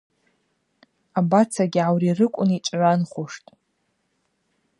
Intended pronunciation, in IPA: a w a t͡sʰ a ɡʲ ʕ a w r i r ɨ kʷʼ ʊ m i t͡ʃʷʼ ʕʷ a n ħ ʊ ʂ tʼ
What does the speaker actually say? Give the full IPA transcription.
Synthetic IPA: a b a t͡sʰ a ɡʲ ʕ a w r i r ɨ kʷʼ ʊ n i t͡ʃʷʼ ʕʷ a n χ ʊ ʂ tʼ